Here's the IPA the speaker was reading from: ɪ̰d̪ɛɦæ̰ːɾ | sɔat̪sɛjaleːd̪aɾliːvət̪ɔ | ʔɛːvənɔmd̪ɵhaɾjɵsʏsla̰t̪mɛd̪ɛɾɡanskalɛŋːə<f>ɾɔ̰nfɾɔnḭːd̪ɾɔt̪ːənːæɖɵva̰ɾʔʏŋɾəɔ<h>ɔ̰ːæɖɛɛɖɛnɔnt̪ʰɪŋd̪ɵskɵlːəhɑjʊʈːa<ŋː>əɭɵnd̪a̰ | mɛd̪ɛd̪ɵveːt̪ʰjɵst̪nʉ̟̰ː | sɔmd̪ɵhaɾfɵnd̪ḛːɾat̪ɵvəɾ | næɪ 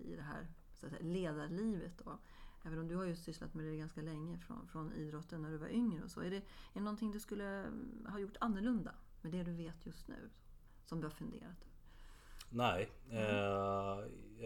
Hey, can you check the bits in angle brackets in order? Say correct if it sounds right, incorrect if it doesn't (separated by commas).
correct, incorrect, incorrect